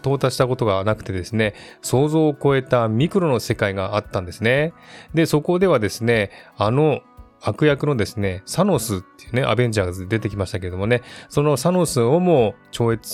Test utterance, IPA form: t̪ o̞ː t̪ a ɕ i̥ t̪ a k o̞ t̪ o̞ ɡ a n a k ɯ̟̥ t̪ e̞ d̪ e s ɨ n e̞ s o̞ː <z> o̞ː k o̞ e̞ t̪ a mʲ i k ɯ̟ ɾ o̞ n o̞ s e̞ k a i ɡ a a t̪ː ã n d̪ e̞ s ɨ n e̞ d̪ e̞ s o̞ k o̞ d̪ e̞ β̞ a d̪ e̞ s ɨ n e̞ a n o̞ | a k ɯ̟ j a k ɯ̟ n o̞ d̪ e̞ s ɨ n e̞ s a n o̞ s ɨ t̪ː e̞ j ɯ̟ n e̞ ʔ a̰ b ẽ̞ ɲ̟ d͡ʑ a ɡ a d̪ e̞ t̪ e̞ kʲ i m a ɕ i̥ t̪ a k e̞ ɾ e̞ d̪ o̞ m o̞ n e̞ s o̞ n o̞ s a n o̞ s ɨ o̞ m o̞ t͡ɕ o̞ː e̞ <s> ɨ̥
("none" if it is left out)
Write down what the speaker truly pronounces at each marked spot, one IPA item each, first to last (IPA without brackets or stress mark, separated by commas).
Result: z, t͡s